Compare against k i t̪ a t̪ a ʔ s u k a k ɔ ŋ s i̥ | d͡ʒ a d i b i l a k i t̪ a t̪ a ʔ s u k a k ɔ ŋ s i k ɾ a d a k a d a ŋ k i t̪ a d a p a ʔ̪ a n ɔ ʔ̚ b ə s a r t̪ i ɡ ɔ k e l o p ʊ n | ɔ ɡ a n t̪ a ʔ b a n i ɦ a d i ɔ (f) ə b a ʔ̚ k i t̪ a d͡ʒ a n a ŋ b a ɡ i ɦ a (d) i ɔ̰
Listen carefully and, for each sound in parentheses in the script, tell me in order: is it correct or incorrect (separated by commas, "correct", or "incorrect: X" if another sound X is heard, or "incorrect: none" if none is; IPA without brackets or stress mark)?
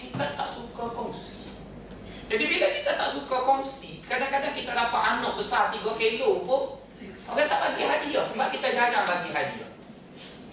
incorrect: s, correct